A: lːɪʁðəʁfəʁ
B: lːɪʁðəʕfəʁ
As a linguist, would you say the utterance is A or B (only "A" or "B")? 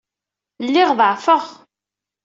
B